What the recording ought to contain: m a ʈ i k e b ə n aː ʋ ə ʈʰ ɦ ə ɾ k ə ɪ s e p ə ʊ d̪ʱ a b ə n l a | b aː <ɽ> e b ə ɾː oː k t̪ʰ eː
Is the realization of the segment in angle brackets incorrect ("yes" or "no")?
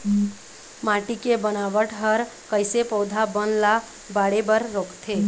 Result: no